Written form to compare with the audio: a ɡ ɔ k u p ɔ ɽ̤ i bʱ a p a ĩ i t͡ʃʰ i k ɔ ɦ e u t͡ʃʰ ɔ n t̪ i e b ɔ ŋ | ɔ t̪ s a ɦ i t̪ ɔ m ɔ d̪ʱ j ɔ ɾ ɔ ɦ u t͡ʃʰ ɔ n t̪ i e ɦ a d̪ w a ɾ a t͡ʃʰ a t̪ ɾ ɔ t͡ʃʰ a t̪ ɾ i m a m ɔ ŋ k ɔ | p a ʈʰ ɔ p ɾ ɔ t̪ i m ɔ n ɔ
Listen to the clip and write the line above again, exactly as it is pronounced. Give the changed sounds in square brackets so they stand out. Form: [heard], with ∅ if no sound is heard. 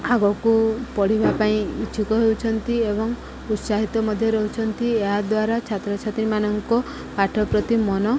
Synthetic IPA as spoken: a ɡ ɔ k u p ɔ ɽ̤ i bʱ a p a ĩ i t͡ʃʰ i k ɔ ɦ e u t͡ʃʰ ɔ n t̪ i e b ɔ ŋ | [u] t̪ s a ɦ i t̪ ɔ m ɔ d̪ʱ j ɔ ɾ ɔ ɦ u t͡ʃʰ ɔ n t̪ i e ɦ a d̪ w a ɾ a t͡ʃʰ a t̪ ɾ ɔ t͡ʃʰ a t̪ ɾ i m a [n] ɔ ŋ k ɔ | p a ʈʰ ɔ p ɾ ɔ t̪ i m ɔ n ɔ

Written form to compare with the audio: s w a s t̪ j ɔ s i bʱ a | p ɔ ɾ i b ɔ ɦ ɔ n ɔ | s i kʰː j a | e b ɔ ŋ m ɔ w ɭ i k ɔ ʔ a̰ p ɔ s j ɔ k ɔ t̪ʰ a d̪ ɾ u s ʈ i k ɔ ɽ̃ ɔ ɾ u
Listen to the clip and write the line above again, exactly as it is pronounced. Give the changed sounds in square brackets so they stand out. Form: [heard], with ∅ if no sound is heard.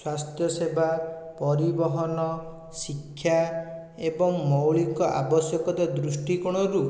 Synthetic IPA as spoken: s w a s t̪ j ɔ s [e] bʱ a | p ɔ ɾ i b ɔ ɦ ɔ n ɔ | s i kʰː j a | e b ɔ ŋ m ɔ w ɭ i k ɔ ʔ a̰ [b] ɔ s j ɔ k ɔ [t̪] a d̪ ɾ u s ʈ i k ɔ ɽ̃ ɔ ɾ u

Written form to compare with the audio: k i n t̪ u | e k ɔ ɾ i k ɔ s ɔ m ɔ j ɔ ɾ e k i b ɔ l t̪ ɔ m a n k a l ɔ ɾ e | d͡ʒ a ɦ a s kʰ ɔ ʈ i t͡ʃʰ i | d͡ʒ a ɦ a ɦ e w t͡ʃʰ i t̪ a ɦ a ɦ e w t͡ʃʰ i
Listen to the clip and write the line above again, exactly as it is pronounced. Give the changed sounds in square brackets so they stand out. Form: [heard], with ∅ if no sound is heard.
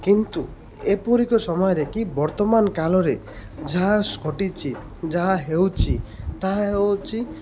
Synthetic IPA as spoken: k i n t̪ u | e [p] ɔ ɾ i k ɔ s ɔ m ɔ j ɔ ɾ e k i b ɔ [ɾ] t̪ ɔ m a n k a l ɔ ɾ e | d͡ʒ a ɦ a s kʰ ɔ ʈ i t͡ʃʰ i | d͡ʒ a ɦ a ɦ e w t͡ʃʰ i t̪ a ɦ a ɦ e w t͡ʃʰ i

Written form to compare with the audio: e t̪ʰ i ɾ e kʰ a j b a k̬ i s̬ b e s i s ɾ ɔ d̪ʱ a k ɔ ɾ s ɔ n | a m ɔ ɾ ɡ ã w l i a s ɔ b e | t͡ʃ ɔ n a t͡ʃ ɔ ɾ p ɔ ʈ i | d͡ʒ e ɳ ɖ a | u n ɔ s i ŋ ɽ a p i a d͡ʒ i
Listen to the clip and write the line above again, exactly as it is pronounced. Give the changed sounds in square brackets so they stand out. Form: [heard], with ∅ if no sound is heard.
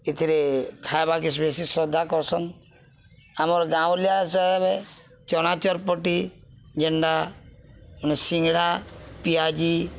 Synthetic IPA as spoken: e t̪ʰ i ɾ e kʰ a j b a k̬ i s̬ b e s i s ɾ ɔ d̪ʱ a k ɔ ɾ s ɔ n | a m ɔ ɾ ɡ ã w l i a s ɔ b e | t͡ʃ ɔ n a t͡ʃ ɔ ɾ p ɔ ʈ i | d͡ʒ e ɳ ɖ a | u n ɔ s i ŋ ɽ a p i a d͡ʒ i

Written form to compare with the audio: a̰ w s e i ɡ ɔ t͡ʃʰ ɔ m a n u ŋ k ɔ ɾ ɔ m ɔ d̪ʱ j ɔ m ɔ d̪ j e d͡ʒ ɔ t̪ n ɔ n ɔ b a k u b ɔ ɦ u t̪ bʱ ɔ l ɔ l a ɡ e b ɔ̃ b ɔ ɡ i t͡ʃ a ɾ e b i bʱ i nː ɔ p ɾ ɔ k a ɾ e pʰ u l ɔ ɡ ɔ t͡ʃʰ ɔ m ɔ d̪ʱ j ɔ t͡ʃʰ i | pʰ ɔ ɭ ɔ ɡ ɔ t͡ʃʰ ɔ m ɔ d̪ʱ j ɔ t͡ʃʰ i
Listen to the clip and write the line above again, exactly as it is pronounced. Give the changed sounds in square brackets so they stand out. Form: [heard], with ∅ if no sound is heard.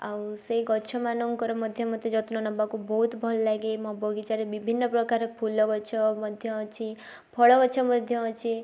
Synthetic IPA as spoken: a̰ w s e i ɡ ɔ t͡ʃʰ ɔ m a n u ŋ k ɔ ɾ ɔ m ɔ d̪ʱ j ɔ m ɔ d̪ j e d͡ʒ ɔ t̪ n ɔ n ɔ b a k u b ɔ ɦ u t̪ bʱ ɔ l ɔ l a ɡ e [m] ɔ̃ b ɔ ɡ i t͡ʃ a ɾ e b i bʱ i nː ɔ p ɾ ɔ k a ɾ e pʰ u l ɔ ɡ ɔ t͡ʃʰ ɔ m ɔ d̪ʱ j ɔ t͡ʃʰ i | pʰ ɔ ɭ ɔ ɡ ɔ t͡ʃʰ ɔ m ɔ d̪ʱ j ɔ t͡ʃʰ i

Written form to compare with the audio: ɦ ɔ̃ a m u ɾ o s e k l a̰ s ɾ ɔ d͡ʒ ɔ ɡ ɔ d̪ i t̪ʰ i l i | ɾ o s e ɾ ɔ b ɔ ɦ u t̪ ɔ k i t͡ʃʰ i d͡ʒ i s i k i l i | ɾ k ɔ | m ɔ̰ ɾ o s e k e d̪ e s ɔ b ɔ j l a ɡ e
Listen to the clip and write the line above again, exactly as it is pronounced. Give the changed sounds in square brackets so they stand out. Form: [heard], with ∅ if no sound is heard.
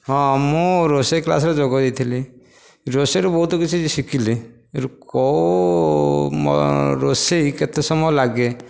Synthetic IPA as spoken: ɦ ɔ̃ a m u ɾ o s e k l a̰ s ɾ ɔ d͡ʒ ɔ ɡ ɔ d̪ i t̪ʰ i l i | ɾ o s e ɾ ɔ b ɔ ɦ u t̪ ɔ k i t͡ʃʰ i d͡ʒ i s i k i l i | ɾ k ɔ | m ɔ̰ ɾ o s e k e [t̪] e s ɔ [m] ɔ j l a ɡ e

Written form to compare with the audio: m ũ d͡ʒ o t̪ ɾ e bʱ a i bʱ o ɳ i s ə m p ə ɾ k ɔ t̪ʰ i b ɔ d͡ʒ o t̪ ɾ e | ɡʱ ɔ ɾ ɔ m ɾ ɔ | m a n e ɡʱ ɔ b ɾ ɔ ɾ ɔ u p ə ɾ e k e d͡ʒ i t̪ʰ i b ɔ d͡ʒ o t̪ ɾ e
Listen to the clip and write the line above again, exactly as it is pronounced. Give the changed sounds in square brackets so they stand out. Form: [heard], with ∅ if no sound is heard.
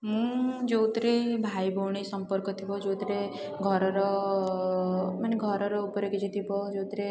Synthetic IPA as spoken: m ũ d͡ʒ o t̪ ɾ e bʱ a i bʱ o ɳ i s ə m p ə ɾ k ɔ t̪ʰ i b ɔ d͡ʒ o t̪ ɾ e | ɡʱ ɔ ɾ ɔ [∅] ɾ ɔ | m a n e ɡʱ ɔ [∅] ɾ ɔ ɾ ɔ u p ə ɾ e k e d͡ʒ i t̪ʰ i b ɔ d͡ʒ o t̪ ɾ e

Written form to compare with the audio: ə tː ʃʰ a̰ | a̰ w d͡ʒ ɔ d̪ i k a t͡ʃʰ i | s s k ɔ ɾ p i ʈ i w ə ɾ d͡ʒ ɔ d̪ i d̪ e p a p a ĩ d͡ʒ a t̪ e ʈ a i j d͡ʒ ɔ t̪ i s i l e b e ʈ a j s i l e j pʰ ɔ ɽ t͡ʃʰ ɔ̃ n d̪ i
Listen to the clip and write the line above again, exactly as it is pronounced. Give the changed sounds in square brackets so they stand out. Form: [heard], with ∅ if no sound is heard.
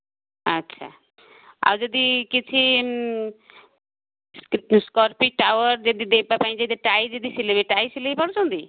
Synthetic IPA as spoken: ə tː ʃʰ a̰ | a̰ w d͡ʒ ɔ d̪ i k [i] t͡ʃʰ i | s s k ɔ ɾ p i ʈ [a] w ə ɾ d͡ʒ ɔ d̪ i d̪ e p a p a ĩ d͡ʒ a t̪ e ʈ a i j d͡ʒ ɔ [d̪] i s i l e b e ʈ a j s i l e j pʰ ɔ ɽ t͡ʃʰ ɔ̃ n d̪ i

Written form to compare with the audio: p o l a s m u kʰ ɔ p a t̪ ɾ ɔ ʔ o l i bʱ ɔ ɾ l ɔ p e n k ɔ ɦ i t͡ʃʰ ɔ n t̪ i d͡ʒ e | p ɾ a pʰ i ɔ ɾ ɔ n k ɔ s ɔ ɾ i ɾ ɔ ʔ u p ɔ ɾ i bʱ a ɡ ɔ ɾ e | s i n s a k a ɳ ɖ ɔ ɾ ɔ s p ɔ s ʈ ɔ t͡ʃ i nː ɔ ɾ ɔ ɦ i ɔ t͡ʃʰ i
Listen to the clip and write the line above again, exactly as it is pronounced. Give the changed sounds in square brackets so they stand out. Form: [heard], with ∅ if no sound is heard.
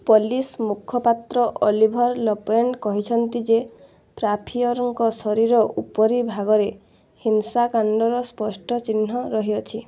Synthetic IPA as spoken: p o l [i] s m u kʰ ɔ p a t̪ ɾ ɔ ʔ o l i bʱ ɔ ɾ l ɔ p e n k ɔ ɦ i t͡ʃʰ ɔ n t̪ i d͡ʒ e | p ɾ a pʰ i ɔ ɾ ɔ [ŋ] k ɔ s ɔ ɾ i ɾ ɔ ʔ u p ɔ ɾ i bʱ a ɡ ɔ ɾ e | [h] i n s a k a ɳ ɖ ɔ ɾ ɔ s p ɔ s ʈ ɔ t͡ʃ i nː ɔ ɾ ɔ ɦ i ɔ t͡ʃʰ i

